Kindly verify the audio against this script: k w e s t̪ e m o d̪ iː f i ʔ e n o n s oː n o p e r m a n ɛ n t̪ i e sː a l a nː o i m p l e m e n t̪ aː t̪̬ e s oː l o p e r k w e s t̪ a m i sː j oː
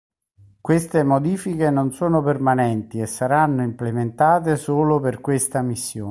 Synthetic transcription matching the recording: k w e s t̪ e m o d̪ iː f i k e n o n s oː n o p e r m a n ɛ n t̪ i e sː a ɾ a nː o i m p l e m e n t̪ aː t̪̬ e s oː l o p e r k w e s t̪ a m i sː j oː